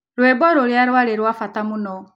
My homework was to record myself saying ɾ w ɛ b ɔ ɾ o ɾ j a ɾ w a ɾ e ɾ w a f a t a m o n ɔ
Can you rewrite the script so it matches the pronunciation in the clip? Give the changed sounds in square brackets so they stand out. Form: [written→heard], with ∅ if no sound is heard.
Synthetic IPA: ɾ w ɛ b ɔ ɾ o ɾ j a ɾ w a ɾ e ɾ w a f a t a m [o→u] n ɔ